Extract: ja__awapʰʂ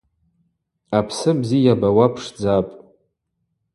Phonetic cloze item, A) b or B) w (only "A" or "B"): A